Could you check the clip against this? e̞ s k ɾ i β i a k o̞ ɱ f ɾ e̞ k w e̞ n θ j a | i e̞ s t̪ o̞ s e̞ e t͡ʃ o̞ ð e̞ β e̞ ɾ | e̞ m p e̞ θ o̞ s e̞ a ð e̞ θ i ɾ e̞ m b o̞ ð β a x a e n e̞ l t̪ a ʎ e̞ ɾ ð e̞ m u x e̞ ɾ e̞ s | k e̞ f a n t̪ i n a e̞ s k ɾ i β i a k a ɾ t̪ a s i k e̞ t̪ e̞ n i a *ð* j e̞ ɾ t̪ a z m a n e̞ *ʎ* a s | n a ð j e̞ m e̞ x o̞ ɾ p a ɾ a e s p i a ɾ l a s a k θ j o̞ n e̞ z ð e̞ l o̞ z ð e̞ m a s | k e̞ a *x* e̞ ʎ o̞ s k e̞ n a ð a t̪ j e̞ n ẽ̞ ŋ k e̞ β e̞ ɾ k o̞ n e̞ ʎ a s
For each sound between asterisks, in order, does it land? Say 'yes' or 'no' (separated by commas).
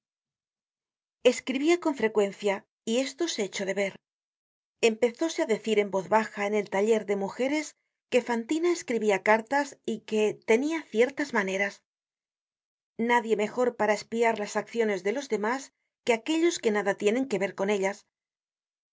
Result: no, no, no